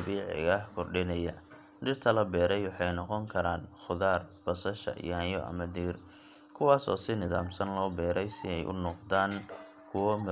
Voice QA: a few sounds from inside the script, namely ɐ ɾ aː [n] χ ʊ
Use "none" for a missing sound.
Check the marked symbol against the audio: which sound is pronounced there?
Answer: n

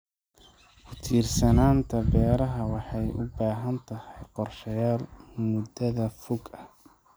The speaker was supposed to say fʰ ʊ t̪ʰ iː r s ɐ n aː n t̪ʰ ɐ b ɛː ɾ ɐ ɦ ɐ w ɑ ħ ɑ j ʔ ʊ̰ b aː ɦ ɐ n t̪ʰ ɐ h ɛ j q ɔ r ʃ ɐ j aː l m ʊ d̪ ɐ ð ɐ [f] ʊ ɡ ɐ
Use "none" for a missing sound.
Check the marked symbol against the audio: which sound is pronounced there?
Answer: f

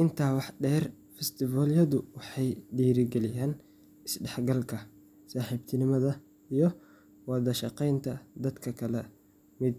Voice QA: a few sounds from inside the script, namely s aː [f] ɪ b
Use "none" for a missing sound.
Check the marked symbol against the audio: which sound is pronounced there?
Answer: ħ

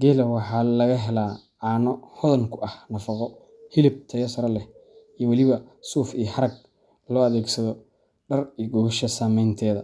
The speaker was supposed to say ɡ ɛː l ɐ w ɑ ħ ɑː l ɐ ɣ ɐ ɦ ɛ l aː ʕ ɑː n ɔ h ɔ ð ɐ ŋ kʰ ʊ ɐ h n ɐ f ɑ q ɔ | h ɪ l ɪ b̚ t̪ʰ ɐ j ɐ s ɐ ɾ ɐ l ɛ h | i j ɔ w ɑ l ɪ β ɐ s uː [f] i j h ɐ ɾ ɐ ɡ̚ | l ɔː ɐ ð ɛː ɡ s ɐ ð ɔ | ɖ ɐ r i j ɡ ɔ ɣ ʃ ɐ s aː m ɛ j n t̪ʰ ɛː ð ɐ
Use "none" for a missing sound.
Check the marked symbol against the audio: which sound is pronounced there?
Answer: f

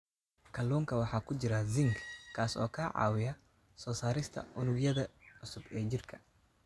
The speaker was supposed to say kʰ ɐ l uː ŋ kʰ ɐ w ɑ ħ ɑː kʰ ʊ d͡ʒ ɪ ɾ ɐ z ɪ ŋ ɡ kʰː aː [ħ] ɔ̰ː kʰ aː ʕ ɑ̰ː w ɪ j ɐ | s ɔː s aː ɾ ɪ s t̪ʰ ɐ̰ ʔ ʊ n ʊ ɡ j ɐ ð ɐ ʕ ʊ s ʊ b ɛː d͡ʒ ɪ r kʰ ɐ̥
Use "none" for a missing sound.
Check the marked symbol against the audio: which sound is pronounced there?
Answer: s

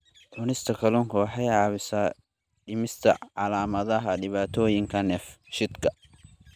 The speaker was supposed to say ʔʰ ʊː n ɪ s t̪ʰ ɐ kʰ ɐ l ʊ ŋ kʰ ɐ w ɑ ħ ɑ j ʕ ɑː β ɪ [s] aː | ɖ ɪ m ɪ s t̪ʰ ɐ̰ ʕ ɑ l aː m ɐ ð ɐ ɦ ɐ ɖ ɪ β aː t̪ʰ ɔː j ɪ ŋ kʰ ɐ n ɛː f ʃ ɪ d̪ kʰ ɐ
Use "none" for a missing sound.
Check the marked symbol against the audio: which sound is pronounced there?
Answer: s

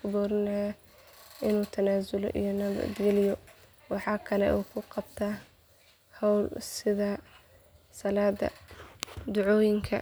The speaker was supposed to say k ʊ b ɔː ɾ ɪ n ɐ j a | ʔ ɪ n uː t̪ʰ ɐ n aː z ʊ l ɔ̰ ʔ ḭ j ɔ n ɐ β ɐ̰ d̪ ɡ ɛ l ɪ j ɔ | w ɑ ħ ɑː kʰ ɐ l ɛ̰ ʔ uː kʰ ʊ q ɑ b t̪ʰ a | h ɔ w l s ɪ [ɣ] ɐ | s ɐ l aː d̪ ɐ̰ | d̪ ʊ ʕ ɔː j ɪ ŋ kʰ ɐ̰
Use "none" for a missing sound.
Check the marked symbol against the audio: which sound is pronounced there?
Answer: ð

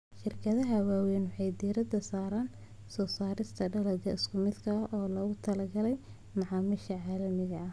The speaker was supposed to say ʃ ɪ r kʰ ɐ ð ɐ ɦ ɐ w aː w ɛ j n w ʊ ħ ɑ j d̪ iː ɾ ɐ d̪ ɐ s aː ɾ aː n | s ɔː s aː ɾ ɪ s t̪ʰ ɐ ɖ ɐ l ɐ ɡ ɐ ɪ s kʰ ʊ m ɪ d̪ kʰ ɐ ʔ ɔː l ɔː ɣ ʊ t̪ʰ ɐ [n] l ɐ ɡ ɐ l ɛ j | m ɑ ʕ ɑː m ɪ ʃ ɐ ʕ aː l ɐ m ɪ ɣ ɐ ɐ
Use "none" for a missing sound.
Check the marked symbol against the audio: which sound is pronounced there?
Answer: none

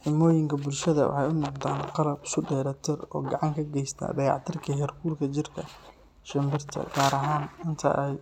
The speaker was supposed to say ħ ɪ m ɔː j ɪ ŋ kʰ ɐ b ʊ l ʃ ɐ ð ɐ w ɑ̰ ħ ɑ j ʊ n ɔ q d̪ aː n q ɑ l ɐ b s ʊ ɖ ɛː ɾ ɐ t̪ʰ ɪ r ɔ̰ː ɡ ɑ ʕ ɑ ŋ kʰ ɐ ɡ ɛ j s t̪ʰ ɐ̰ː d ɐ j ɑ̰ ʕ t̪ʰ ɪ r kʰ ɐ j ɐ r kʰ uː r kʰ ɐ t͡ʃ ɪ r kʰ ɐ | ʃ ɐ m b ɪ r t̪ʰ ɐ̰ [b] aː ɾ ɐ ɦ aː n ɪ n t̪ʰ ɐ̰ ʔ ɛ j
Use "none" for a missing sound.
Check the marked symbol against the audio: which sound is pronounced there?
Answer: ɡ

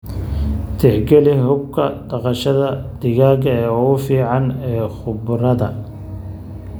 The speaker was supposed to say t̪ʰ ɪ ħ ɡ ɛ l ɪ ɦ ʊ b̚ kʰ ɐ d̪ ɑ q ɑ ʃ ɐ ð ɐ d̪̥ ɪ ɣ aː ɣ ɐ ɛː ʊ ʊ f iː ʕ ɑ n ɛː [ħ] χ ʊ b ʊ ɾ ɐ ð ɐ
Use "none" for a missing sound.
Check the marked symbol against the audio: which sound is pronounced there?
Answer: none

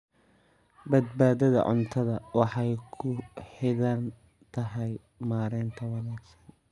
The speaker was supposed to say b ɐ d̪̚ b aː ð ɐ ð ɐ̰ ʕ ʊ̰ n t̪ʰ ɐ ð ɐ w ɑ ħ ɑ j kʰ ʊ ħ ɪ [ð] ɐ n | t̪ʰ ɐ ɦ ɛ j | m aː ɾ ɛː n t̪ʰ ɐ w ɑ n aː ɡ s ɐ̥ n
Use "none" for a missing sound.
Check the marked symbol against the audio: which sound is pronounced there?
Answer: ð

